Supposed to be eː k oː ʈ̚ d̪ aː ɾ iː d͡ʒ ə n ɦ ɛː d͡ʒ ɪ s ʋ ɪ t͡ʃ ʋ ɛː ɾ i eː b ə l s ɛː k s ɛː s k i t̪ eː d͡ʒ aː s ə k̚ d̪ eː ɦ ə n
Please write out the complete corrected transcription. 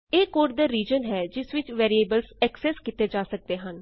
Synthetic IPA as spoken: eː k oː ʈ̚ d̪ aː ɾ iː d͡ʒ ə n ɦ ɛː d͡ʒ ɪ s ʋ ɪ t͡ʃ ʋ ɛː ɾ i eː b ə l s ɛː k s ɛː s k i t̪ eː d͡ʒ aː s ə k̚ d̪ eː ɦ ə n